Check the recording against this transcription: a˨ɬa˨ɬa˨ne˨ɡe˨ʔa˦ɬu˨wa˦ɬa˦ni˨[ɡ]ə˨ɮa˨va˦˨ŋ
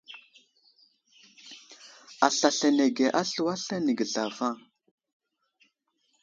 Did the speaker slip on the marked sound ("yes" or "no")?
no